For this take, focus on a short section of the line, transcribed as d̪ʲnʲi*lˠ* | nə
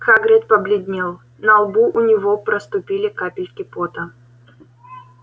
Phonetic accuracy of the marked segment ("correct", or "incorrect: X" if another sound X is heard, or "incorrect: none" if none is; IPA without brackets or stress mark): correct